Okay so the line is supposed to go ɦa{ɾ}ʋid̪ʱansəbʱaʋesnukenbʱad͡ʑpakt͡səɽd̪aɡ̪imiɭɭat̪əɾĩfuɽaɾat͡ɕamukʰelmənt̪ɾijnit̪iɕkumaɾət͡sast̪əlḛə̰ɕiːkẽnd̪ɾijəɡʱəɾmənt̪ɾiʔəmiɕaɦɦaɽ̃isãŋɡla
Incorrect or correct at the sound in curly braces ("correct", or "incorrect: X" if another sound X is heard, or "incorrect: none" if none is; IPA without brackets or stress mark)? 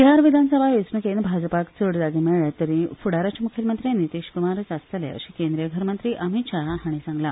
correct